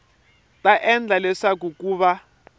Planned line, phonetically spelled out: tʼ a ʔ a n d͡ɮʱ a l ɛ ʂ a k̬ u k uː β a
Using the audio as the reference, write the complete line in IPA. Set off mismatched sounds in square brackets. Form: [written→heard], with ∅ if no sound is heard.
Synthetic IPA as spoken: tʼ a ʔ [a→ɛ] n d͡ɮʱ a l ɛ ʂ a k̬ u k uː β a